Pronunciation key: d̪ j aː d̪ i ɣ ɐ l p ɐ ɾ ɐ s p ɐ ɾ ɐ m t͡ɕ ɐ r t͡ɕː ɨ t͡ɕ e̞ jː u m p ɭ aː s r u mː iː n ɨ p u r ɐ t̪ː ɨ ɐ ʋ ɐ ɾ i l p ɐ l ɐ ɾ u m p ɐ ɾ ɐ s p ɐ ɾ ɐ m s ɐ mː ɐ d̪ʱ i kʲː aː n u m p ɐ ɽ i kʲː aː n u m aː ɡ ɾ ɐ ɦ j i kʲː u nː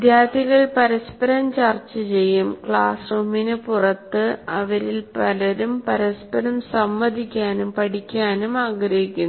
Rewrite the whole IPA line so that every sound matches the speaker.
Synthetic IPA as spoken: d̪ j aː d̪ i ɣ ɐ ɭ p ɐ ɾ ɐ s p ɐ ɾ ɐ m t͡ɕ ɐ r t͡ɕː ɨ t͡ɕ e̞ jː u m k ɭ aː s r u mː i n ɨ p u r ɐ t̪ː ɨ ɐ ʋ ɐ ɾ i l p ɐ l ɐ ɾ u m p ɐ ɾ ɐ s p ɐ ɾ ɐ m s ɐ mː ɐ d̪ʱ i kʲː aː n u m p ɐ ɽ i kʲː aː n u m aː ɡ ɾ ɐ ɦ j i kʲː u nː